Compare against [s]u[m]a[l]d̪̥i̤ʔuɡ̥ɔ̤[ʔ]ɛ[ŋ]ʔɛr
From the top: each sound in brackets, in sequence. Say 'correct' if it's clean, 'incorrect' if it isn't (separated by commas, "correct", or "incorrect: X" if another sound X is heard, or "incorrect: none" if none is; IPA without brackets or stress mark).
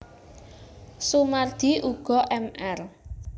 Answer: correct, correct, incorrect: r, correct, incorrect: m